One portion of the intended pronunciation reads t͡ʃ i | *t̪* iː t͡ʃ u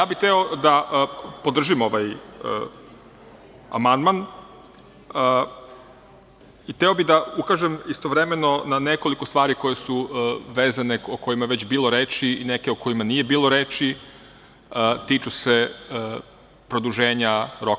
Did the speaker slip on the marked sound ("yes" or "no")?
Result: no